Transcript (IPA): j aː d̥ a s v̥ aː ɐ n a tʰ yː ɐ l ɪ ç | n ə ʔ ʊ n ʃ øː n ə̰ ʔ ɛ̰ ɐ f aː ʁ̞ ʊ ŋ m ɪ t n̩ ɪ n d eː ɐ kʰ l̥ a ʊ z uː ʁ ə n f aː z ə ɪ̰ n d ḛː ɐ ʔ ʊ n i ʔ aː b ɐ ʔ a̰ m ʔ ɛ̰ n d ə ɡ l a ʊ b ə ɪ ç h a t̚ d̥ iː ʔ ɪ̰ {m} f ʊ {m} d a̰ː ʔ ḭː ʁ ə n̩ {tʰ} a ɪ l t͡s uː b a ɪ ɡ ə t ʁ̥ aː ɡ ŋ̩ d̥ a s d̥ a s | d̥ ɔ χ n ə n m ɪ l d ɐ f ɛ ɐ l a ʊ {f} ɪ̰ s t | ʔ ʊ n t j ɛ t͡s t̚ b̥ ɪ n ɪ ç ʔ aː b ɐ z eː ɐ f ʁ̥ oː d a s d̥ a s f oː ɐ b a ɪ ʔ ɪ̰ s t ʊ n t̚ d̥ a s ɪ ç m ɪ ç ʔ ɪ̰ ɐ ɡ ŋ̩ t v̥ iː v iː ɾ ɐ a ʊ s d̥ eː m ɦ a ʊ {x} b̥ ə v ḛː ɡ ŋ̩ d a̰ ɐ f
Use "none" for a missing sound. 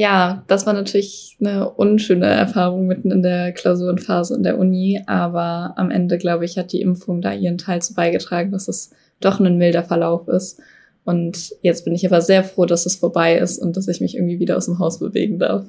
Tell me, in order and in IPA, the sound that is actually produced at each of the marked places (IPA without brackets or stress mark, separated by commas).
m, ŋ, tʰ, f, s